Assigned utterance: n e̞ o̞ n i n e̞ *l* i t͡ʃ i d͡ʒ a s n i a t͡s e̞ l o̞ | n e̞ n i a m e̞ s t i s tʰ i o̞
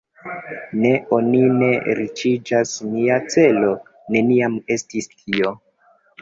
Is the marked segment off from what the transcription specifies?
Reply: yes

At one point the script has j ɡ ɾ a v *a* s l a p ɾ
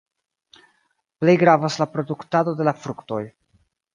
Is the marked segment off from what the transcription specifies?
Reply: no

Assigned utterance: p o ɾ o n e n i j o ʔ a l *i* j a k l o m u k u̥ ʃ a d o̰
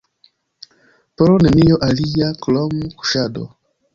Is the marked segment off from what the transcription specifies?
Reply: no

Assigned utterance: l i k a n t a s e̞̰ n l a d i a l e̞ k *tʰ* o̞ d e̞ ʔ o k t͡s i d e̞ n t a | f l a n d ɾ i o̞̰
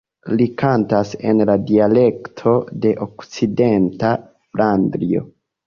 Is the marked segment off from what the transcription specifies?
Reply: no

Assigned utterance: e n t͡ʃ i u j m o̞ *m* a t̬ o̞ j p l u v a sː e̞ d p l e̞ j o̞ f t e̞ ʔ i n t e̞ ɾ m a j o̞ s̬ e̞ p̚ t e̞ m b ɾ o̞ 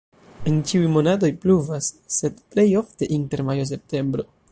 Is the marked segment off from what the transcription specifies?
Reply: yes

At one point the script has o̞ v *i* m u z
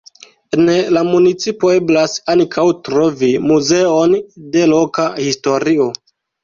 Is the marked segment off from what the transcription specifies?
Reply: no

